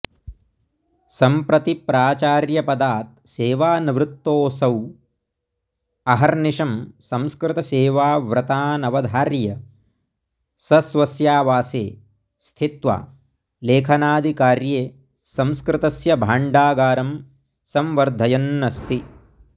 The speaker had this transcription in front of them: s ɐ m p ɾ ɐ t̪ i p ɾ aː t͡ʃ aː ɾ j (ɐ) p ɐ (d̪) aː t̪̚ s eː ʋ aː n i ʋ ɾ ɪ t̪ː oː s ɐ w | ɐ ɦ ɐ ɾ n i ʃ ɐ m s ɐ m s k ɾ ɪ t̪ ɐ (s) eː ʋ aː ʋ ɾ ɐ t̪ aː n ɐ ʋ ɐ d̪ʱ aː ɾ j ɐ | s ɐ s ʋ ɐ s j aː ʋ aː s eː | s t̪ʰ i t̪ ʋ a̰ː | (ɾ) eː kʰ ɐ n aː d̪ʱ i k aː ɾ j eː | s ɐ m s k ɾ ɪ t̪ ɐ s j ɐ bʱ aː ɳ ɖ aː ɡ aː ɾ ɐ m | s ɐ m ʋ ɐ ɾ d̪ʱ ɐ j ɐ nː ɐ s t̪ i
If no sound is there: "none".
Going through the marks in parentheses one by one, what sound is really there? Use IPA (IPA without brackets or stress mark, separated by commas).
ɐ, d̪, s, l